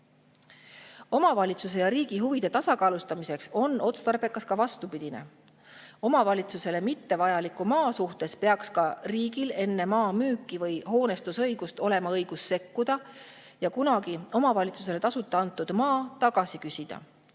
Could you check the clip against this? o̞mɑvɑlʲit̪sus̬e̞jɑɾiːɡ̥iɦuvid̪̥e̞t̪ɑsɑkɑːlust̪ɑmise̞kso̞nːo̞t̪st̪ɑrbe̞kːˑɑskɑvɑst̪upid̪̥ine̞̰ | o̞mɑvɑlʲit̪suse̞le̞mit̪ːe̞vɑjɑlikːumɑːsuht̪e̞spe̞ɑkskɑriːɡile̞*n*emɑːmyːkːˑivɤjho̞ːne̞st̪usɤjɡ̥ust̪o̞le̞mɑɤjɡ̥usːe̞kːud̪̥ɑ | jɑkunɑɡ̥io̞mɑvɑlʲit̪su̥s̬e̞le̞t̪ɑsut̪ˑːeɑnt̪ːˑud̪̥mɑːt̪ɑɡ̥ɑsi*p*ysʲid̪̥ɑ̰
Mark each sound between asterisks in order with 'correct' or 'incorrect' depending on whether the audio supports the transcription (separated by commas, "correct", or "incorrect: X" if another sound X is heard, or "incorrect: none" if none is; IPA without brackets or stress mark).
incorrect: nː, incorrect: k